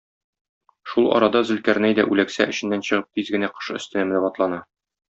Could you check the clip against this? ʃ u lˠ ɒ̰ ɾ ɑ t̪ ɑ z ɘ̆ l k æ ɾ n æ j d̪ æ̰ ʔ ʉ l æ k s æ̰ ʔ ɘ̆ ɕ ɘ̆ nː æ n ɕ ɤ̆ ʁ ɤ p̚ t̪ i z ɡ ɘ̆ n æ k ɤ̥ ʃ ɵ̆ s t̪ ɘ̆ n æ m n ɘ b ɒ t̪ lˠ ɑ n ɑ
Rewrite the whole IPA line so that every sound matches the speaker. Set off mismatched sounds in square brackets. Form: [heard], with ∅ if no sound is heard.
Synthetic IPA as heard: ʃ u lˠ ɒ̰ ɾ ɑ [d̪] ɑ z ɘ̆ l k æ ɾ n æ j d̪ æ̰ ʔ ʉ l æ k s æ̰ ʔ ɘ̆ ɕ ɘ̆ nː æ n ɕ ɤ̆ ʁ ɤ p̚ t̪ i z ɡ ɘ̆ n æ [q] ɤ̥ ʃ ɵ̆ s t̪ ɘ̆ n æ m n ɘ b ɒ t̪ lˠ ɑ n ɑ